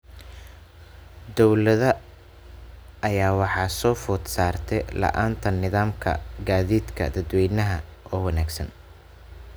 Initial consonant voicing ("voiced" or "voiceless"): voiced